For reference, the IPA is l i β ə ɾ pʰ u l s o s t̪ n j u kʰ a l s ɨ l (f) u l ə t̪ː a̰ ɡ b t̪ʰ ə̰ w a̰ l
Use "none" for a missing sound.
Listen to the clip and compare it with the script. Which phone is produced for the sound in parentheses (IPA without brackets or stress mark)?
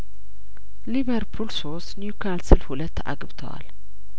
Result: h